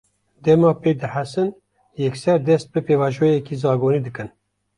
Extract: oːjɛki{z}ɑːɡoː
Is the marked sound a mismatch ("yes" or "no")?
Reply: no